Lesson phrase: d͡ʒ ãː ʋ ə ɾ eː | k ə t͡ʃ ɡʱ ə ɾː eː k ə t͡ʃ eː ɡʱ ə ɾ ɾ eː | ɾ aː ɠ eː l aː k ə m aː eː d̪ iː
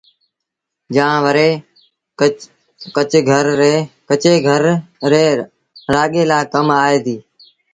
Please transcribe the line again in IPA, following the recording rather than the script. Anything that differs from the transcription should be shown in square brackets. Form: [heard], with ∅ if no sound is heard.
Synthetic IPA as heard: d͡ʒ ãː ʋ ə ɾ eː | k ə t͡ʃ ɡʱ ə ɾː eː k ə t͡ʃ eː ɡʱ ə ɾ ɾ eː | ɾ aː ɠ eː l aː k ə m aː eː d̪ iː